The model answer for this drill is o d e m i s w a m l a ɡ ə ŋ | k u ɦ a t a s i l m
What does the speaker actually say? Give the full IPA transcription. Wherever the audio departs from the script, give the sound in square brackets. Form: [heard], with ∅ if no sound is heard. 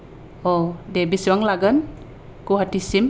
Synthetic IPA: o d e [b] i s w a [ŋ] l a ɡ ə [n] | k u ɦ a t [i] s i [∅] m